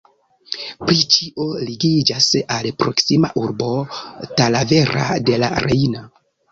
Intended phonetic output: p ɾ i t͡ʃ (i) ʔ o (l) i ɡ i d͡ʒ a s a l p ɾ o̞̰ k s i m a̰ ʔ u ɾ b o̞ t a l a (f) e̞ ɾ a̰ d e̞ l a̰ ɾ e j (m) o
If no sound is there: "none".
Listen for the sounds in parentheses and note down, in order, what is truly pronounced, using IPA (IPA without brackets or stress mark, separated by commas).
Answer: i, l, v, n